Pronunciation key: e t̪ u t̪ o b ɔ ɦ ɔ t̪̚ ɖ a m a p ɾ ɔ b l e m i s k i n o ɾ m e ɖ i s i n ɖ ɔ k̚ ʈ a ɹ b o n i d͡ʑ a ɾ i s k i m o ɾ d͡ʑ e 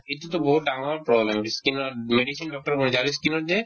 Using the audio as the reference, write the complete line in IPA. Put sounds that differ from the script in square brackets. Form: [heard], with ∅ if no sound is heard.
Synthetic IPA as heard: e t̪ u t̪ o b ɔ ɦ [u] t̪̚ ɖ a [ŋ] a p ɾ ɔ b l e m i s k i n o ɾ m e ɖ i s i n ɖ ɔ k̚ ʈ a [ɾ] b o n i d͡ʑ a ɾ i s k i [n] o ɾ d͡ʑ e